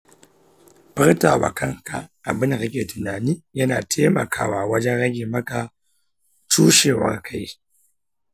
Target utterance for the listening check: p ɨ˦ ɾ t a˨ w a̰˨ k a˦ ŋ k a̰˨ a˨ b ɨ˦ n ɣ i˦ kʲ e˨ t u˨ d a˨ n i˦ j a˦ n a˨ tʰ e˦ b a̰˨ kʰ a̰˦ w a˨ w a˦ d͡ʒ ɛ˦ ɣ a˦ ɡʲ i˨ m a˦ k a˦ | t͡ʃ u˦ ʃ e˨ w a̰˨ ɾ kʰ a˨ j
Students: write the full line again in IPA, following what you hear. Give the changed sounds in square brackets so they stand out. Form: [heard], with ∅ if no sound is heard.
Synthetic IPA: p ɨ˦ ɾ t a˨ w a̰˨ k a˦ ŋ k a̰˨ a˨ b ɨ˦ n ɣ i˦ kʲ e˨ t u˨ [n] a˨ n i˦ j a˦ n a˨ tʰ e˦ [m] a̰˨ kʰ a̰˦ w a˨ w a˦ d͡ʒ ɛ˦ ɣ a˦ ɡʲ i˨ m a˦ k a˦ | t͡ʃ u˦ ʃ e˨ w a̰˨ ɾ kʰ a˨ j